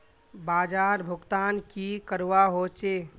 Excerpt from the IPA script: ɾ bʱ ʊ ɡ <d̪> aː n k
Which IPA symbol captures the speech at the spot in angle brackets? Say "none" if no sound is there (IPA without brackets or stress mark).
t̪